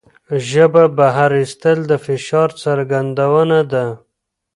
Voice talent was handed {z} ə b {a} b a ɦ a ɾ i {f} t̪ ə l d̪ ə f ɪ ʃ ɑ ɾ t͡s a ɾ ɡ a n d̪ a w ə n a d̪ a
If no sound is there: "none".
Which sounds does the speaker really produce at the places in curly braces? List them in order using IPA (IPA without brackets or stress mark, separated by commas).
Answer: ʒ, a, s